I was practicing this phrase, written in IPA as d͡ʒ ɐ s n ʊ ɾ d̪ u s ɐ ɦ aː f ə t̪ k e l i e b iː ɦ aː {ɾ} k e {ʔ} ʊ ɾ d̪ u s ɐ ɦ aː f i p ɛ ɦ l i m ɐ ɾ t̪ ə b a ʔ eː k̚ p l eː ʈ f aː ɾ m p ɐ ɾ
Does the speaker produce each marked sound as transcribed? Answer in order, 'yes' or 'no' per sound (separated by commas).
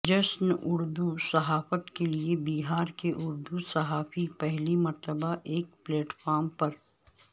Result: yes, yes